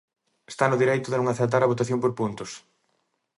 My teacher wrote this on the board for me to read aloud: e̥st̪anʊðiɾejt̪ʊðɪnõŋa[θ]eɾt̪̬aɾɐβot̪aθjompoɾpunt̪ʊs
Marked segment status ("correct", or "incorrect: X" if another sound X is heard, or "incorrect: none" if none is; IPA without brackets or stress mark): correct